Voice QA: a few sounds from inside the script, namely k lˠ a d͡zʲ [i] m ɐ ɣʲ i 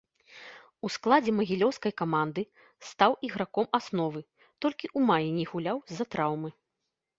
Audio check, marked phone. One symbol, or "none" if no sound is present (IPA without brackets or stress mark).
ɛ